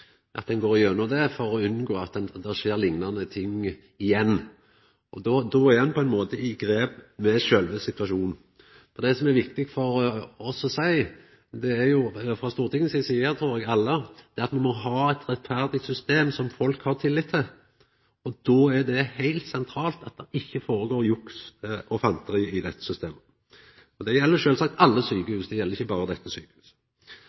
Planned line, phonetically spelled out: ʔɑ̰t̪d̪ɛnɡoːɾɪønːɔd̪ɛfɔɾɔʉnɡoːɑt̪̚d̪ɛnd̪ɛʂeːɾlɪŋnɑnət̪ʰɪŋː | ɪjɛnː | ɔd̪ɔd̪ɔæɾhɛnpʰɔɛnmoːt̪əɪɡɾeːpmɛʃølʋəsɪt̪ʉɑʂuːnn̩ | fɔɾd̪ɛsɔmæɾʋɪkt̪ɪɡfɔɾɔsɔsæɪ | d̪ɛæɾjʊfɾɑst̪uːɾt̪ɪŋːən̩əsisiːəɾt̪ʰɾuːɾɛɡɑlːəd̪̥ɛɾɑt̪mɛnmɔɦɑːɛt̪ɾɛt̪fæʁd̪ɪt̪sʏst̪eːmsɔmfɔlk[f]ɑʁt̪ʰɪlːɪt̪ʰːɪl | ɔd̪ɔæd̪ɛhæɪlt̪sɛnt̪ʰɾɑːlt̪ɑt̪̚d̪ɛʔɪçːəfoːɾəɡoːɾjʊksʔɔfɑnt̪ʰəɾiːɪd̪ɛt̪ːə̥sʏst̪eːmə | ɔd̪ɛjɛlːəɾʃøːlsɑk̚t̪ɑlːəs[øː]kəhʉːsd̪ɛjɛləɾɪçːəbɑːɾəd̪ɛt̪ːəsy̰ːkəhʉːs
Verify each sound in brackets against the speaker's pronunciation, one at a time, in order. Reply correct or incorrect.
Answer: incorrect: h, incorrect: yː

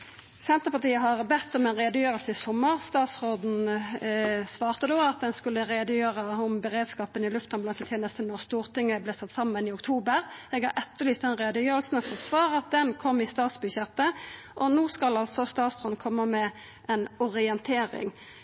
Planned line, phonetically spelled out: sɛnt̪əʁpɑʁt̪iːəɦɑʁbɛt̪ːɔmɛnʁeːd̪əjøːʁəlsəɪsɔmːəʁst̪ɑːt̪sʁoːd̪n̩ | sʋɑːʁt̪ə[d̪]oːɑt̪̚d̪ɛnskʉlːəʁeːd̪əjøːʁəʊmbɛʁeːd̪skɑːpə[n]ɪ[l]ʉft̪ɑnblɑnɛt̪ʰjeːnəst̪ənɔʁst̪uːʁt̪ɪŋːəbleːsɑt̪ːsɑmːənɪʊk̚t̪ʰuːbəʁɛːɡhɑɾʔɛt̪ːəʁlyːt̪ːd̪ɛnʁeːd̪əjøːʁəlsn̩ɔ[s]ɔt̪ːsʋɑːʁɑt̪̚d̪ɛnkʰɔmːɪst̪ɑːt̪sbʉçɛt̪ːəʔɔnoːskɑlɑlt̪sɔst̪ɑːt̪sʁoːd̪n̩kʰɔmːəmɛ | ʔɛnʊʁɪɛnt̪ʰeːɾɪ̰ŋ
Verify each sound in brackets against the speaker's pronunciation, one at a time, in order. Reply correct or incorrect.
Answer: correct, correct, correct, incorrect: f

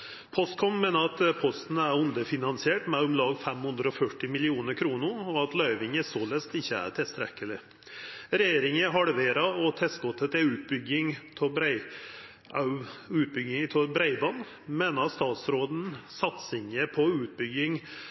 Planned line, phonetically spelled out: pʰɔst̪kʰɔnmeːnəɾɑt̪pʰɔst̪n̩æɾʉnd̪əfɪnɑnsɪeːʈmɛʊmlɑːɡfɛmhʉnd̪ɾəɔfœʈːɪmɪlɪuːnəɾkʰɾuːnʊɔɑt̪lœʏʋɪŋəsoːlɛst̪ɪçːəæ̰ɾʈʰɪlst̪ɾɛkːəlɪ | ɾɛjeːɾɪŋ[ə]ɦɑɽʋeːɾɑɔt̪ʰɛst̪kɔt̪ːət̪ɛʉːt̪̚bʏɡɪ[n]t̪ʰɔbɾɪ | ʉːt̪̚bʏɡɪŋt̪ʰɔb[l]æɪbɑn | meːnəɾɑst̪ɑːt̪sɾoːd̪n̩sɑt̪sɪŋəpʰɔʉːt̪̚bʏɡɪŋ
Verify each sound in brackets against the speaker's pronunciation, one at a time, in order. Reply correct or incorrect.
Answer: correct, incorrect: ŋ, incorrect: ɾ

